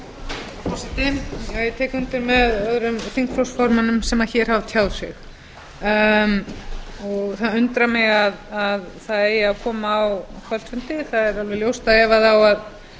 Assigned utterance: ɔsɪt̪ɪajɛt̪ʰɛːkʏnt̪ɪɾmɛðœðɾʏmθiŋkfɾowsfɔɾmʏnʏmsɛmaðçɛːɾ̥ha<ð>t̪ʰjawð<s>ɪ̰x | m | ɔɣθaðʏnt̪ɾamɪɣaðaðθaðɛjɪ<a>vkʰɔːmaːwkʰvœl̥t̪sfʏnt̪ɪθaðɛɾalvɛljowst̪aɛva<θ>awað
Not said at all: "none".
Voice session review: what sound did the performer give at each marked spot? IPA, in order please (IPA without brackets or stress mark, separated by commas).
v, s, a, ð